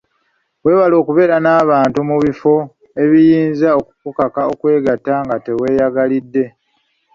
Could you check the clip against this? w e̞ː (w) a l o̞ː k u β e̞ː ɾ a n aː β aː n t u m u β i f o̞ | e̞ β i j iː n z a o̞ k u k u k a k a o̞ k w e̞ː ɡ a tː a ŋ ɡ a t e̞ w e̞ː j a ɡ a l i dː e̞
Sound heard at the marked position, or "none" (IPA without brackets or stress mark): β